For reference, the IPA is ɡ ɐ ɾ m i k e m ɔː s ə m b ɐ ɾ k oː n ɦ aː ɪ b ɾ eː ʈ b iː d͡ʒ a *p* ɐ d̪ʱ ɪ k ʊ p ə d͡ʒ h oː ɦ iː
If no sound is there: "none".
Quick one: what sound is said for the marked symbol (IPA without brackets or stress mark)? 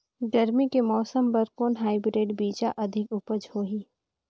ʔ